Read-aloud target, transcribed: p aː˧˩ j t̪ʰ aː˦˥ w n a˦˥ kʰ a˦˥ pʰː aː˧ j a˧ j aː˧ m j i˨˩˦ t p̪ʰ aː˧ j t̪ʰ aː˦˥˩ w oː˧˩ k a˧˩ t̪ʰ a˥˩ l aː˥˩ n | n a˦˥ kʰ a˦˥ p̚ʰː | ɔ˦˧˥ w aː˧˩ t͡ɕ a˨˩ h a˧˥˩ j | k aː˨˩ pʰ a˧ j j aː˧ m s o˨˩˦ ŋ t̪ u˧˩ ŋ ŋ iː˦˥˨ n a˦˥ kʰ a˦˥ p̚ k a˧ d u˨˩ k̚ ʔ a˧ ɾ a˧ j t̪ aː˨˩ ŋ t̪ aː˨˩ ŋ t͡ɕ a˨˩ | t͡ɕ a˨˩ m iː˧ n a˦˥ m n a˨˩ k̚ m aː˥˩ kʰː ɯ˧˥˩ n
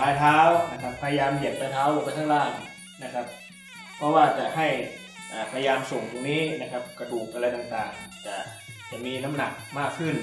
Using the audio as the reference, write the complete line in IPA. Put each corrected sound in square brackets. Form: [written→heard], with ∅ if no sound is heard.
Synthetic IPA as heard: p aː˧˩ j t̪ʰ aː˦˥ w n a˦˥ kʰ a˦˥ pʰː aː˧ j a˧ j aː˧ m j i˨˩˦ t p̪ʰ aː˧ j t̪ʰ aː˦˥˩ w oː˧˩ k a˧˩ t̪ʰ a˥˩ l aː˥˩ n | n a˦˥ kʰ a˦˥ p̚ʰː | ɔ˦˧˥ w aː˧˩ t͡ɕ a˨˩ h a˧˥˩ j | [k→ʔ] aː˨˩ pʰ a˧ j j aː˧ m s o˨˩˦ ŋ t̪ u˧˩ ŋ [ŋ→n] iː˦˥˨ n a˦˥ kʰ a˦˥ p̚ k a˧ d [u˨˩→uː˨˩] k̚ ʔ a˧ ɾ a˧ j t̪ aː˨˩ ŋ t̪ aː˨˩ ŋ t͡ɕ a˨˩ | t͡ɕ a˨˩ m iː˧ n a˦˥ m n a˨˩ k̚ m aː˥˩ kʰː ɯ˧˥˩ n